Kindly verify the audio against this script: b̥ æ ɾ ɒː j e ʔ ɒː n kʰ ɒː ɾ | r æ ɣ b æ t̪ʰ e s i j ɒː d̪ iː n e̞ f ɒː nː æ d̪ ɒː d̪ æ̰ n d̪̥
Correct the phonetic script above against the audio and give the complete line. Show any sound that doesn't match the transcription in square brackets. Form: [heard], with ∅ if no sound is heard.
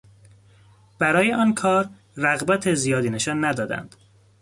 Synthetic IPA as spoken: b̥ æ ɾ ɒː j e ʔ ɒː n kʰ ɒː ɾ | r æ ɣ b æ t̪ʰ e [z] i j ɒː d̪ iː n e̞ [ʃ] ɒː nː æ d̪ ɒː d̪ æ̰ n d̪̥